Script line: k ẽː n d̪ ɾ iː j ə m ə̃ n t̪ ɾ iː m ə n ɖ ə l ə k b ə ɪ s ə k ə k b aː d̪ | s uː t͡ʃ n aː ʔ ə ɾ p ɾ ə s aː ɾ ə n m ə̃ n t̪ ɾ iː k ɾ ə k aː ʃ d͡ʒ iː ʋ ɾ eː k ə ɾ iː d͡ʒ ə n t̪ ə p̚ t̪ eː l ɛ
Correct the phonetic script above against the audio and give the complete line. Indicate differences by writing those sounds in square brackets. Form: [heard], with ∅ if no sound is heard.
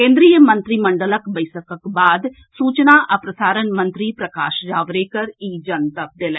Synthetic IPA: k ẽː n d̪ ɾ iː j ə m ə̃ n t̪ ɾ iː m ə [ɳ] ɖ ə l ə k b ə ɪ s ə k ə k b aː d̪ | s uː t͡ʃ n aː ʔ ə [∅] p ɾ ə s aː ɾ ə n m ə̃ n t̪ ɾ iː [p] ɾ ə k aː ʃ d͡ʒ [aː] ʋ ɾ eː k ə ɾ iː d͡ʒ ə n t̪ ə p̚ [d̪] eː l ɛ